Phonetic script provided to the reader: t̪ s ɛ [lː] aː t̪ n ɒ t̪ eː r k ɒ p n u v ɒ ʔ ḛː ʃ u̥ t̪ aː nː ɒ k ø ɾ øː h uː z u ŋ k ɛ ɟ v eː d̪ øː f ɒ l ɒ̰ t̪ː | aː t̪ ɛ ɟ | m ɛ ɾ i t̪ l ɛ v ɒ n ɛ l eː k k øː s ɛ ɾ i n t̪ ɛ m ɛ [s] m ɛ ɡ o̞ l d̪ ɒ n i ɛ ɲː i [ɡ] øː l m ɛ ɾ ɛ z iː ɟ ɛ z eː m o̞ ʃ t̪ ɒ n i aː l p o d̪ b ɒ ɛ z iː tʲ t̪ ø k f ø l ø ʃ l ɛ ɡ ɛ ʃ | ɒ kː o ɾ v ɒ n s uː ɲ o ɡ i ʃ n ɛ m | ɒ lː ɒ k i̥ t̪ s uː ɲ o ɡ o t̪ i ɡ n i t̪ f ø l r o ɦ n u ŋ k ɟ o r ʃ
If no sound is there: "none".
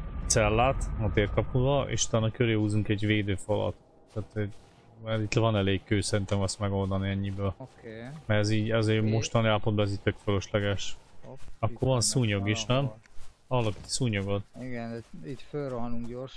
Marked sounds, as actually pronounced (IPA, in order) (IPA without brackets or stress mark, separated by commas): lː, s, b